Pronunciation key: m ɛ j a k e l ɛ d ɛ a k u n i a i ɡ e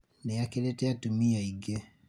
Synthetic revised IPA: n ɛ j a k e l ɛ t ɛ a t u m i a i ɡ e